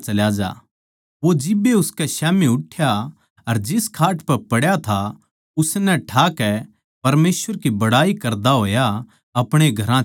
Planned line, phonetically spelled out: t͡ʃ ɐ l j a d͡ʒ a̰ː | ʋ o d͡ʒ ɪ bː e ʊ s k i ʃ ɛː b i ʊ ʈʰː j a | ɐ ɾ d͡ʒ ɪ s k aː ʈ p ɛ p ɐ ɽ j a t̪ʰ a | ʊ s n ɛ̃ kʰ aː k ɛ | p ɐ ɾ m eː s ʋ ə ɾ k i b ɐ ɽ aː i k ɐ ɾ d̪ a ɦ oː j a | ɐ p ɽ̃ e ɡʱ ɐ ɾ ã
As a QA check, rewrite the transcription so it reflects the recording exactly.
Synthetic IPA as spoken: t͡ʃ ɐ l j a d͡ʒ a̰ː | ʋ o d͡ʒ ɪ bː e ʊ s k ɛ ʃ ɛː m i ʊ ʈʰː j a | ɐ ɾ d͡ʒ ɪ s kʰ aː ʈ p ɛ p ɐ ɽ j a t̪ʰ a | ʊ s n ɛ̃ ʈʰ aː k ɛ | p ɐ ɾ m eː s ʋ ə ɾ k i b ɐ ɽ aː i k ɐ ɾ d̪ a ɦ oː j a | ɐ p ɽ̃ e ɡʱ ɐ ɾ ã